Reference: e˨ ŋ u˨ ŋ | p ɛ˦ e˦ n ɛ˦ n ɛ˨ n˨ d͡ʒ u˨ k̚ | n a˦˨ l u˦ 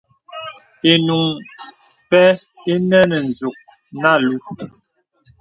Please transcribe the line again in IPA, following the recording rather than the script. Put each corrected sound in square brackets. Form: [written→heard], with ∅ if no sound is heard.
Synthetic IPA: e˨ [ŋ→n] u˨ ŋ | p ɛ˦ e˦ n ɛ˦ n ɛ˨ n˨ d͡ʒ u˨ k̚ | n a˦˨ l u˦